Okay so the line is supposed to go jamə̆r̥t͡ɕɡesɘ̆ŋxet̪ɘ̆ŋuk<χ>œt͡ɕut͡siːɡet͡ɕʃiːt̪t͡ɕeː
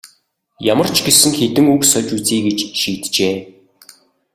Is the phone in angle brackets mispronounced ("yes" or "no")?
yes